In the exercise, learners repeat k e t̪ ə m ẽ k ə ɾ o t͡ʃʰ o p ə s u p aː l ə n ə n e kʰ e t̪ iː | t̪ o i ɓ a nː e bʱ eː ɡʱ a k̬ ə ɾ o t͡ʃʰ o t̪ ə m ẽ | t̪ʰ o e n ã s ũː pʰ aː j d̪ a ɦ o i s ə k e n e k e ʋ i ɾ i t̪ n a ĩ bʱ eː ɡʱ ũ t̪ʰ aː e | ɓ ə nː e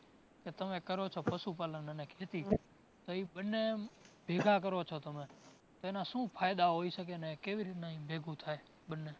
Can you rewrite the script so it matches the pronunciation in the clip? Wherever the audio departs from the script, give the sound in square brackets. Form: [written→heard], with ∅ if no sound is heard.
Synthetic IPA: k e t̪ ə m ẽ k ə ɾ o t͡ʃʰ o p ə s u p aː l ə n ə n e kʰ e t̪ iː | t̪ o i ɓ [a→ə] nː e bʱ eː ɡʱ a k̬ ə ɾ o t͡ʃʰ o t̪ ə m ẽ | [t̪ʰ→t̪] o e n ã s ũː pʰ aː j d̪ a ɦ o i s ə k e n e k e ʋ i ɾ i t̪ n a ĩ bʱ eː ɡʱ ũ t̪ʰ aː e | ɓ ə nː e